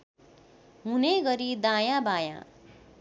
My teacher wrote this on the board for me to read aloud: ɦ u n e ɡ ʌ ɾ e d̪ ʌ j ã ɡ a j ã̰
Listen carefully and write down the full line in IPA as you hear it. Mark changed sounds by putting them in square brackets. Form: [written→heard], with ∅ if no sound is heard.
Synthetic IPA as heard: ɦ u n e ɡ ʌ ɾ [e→i] d̪ [ʌ→a] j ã [ɡ→b] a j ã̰